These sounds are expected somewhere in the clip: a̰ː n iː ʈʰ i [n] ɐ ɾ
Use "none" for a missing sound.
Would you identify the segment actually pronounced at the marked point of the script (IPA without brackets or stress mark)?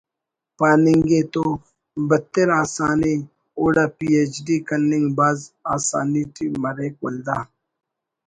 m